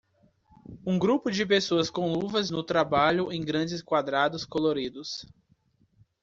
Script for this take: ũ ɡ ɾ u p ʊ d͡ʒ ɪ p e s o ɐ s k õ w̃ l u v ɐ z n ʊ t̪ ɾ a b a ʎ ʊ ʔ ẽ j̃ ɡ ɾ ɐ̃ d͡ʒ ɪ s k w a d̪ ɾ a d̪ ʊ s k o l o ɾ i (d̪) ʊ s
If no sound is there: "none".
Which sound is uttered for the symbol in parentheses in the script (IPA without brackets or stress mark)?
d̪